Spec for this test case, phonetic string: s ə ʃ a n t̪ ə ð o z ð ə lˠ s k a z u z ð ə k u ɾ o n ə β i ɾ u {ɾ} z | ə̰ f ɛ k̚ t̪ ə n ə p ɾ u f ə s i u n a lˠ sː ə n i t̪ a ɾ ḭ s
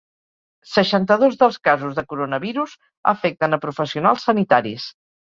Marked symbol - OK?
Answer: no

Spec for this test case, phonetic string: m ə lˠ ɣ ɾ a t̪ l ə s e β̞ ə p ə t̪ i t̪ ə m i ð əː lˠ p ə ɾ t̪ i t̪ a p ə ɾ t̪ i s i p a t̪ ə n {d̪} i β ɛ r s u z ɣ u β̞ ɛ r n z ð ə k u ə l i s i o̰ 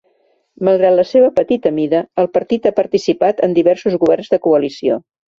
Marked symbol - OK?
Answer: yes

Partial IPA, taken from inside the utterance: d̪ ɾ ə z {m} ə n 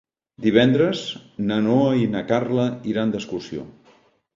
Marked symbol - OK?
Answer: no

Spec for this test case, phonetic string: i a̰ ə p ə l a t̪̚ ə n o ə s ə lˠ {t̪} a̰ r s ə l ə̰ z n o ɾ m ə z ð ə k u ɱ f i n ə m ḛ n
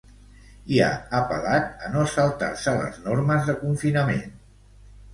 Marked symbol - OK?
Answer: yes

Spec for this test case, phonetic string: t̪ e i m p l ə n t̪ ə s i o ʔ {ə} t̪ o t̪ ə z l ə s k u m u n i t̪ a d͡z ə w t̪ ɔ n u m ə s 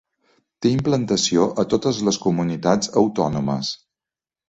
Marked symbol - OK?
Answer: yes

